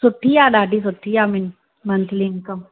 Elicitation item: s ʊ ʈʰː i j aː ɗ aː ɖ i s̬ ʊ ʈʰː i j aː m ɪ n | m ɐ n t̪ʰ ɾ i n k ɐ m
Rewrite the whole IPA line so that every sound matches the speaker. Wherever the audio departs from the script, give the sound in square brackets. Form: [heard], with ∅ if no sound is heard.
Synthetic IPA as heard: s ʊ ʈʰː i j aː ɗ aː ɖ i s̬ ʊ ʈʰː i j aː m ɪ n | m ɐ n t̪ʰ [l] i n k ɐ m